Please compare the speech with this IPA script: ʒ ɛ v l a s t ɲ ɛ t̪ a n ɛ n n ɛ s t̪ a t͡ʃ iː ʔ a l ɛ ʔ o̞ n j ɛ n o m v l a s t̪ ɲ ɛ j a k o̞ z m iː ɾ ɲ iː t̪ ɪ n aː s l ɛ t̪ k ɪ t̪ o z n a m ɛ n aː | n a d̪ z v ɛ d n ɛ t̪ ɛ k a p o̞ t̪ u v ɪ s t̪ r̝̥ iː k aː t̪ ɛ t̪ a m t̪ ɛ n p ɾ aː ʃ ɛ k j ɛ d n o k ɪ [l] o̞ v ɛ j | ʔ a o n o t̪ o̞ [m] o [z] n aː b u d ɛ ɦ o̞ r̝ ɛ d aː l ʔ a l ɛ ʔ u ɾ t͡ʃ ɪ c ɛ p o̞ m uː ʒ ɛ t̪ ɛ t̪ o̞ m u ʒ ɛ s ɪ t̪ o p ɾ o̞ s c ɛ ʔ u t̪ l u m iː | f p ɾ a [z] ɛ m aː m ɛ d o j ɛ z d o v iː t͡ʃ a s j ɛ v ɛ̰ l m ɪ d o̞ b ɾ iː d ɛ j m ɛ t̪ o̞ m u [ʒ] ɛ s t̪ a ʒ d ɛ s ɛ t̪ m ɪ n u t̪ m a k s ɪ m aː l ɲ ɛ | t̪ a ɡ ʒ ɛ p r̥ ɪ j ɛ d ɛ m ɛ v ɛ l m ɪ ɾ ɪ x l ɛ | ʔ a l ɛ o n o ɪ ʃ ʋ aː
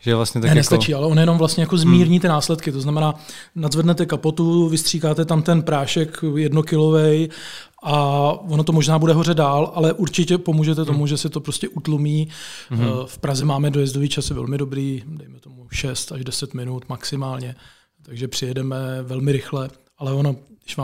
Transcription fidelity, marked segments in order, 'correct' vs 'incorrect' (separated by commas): correct, correct, incorrect, correct, incorrect